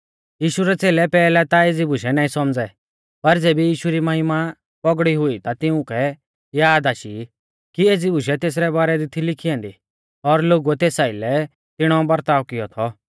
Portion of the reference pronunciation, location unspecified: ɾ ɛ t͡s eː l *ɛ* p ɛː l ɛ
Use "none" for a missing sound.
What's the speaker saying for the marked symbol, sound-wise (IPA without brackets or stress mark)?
ɛ